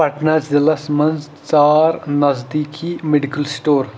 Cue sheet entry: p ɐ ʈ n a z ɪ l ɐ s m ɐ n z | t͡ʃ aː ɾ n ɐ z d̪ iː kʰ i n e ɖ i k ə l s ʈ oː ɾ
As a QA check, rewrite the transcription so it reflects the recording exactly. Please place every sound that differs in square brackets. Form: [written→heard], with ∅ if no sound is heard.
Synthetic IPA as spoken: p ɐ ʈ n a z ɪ l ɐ s m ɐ n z | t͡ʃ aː ɾ n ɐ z d̪ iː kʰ i [n→m] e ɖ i k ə l s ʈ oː ɾ